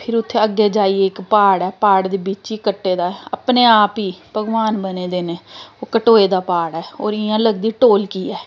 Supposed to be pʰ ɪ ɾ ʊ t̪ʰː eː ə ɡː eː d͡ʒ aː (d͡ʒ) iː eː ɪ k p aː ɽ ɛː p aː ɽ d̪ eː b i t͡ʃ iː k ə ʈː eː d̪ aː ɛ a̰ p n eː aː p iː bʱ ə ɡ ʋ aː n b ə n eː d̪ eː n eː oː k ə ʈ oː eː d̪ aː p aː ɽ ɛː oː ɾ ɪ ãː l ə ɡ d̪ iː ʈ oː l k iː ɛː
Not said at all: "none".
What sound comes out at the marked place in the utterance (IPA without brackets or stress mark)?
none